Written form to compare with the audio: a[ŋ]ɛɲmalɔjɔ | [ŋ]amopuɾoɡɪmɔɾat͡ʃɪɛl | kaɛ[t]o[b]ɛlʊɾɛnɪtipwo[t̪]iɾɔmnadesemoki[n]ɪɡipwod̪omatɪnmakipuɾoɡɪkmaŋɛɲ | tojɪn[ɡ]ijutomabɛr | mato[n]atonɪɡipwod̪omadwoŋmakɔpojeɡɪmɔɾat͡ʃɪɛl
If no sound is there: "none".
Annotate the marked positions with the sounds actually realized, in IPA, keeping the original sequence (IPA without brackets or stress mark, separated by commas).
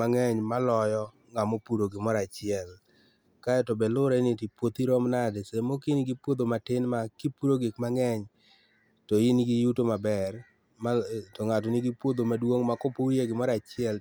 ŋ, ŋ, t, b, t̪, n, ɡ, ŋ